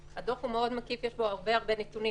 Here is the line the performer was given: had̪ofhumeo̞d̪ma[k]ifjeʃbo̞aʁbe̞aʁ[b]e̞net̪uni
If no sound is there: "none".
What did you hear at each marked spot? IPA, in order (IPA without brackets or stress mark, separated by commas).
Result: k, b